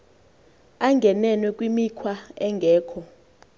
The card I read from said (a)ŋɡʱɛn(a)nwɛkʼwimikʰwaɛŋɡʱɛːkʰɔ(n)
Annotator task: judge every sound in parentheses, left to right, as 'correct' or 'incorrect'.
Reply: correct, incorrect: ɛ, incorrect: none

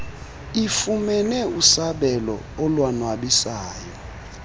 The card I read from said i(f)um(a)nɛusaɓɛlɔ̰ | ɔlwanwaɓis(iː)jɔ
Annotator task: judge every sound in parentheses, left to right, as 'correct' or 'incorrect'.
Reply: correct, incorrect: ɛ, incorrect: aː

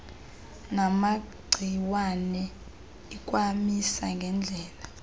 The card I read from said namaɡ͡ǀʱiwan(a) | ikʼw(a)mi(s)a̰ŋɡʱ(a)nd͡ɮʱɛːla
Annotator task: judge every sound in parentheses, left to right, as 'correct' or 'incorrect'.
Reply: incorrect: ɛ, correct, correct, incorrect: ɛ

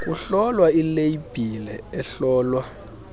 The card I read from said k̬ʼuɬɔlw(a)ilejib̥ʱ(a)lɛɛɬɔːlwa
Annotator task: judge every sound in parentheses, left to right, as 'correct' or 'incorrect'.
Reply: correct, incorrect: i

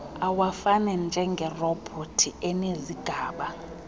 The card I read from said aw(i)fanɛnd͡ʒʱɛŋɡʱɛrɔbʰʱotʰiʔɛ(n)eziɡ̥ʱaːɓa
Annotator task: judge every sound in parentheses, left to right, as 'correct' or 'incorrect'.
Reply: incorrect: a, correct

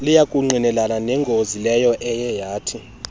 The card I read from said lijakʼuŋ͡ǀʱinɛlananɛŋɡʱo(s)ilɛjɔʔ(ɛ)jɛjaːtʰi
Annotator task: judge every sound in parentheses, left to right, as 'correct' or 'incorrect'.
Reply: incorrect: z, correct

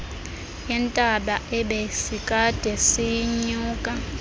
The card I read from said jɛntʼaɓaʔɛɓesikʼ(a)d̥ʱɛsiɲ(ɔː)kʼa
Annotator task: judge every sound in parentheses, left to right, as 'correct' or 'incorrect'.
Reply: correct, incorrect: uː

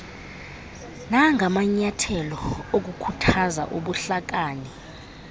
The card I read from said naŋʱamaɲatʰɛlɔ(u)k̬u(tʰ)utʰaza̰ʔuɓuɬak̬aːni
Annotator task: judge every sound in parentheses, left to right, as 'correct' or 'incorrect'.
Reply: incorrect: o, incorrect: kʰ

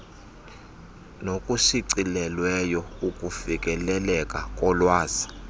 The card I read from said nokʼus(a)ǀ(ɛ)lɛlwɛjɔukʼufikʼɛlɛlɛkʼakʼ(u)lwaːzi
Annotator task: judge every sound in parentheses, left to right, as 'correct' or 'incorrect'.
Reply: incorrect: i, incorrect: i, incorrect: ɔ

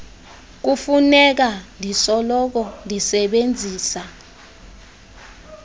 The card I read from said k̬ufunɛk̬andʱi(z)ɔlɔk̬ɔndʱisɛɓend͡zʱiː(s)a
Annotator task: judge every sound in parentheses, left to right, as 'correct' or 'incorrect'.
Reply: incorrect: s, correct

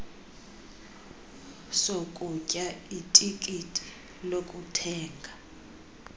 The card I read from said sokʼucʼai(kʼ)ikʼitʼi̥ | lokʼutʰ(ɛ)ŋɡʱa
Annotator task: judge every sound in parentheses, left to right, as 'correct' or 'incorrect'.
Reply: incorrect: tʼ, incorrect: ɛː

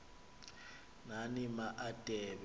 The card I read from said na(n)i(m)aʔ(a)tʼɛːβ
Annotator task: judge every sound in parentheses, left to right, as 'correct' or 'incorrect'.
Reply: correct, correct, correct

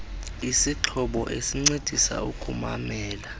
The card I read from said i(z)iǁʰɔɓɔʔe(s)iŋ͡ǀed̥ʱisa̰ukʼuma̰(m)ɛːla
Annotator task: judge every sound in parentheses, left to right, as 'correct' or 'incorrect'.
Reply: incorrect: s, correct, correct

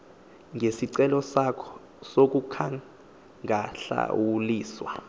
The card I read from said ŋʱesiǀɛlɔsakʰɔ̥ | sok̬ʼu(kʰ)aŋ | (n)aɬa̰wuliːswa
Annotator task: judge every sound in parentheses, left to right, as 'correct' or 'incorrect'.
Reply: correct, incorrect: ŋ

